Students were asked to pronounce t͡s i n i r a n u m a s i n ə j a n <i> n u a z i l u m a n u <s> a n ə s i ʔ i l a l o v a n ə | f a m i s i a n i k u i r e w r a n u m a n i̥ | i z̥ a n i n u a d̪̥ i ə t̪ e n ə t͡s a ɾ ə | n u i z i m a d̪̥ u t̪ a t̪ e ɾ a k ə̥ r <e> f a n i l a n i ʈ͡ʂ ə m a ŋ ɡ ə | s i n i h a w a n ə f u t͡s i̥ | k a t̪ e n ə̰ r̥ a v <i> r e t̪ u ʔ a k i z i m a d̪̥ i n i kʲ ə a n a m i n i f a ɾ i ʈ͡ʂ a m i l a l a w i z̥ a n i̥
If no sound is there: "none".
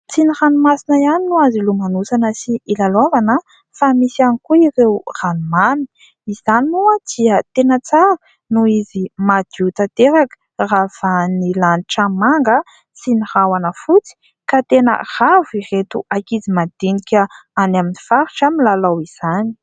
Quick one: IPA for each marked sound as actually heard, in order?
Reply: i, s, a, i

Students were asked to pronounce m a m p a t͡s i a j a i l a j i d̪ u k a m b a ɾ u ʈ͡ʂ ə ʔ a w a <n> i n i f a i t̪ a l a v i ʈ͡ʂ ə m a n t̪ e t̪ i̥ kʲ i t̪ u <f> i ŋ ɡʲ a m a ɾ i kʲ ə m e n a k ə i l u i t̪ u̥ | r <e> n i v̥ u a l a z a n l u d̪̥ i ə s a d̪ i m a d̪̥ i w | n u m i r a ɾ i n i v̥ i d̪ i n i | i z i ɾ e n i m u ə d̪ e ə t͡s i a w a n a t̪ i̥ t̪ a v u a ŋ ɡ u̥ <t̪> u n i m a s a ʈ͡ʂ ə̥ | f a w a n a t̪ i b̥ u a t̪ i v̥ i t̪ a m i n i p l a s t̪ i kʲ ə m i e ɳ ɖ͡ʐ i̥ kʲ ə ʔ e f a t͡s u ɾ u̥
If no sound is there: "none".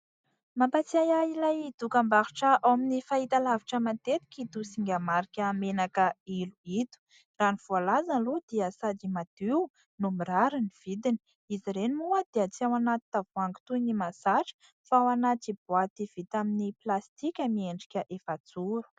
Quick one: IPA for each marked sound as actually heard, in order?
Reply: m, s, a, t̪

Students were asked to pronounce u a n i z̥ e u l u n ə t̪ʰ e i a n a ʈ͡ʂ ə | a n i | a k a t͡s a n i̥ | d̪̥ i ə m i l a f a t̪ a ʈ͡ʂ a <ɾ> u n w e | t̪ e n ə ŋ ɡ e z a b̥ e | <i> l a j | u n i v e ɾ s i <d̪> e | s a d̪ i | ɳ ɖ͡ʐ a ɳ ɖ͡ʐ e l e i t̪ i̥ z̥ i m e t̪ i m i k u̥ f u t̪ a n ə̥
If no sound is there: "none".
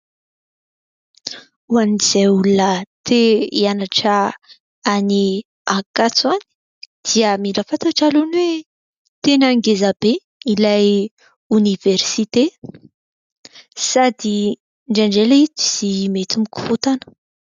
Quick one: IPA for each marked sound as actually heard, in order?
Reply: l, i, t̪

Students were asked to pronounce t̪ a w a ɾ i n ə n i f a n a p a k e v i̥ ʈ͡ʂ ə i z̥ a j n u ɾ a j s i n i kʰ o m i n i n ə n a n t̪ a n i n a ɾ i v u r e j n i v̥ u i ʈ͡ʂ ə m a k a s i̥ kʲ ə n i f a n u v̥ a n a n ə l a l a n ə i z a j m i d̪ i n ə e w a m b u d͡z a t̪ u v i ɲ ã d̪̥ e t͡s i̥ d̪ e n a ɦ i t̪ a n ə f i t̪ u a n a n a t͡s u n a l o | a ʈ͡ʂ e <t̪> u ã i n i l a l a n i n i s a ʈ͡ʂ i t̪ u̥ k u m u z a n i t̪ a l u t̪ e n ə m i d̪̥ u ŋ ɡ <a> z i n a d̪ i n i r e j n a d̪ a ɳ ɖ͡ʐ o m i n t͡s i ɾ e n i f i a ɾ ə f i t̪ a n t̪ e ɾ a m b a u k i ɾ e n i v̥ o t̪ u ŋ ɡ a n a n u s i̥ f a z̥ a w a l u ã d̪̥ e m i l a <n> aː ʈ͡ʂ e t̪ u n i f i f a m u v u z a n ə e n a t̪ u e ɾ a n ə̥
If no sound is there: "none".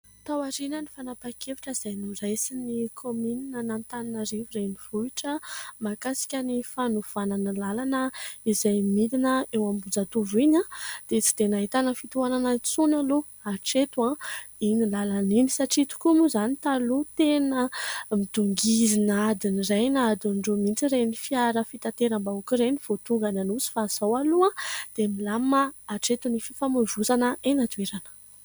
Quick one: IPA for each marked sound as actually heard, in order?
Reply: t̪, i, m

